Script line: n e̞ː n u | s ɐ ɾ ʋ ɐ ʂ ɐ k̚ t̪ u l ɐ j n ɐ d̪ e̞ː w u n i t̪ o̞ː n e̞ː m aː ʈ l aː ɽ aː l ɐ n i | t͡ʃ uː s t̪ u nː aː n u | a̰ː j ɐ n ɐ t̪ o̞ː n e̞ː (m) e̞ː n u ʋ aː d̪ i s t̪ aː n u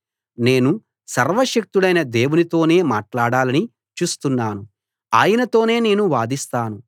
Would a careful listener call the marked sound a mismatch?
yes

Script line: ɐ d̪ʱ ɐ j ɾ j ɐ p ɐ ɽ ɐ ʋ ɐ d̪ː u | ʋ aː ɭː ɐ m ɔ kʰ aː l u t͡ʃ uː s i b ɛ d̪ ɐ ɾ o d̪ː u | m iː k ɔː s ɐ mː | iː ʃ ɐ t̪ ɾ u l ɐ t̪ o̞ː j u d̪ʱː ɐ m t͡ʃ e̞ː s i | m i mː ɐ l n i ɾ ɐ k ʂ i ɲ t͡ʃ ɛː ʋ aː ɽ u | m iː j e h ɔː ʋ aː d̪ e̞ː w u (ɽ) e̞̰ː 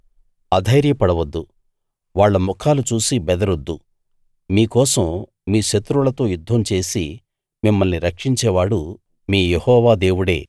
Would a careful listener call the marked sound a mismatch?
no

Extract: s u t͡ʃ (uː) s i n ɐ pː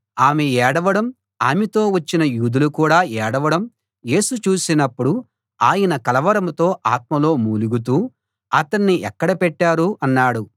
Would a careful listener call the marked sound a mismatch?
no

